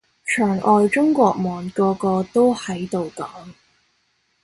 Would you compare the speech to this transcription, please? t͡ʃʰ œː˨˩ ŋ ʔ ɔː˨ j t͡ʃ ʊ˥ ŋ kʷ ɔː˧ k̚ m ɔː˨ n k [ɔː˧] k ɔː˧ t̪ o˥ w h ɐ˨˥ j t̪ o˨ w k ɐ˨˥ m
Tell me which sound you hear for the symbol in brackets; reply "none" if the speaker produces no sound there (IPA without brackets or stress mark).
ɔː˧